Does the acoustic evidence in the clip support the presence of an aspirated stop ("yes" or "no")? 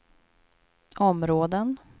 no